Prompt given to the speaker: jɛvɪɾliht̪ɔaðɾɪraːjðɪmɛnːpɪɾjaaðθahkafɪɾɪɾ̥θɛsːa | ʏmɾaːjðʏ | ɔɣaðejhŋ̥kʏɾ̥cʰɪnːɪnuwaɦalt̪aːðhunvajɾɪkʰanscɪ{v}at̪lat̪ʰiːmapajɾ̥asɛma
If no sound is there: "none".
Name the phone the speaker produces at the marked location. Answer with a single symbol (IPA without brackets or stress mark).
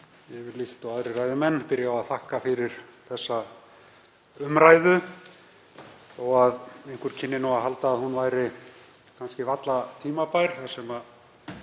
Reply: v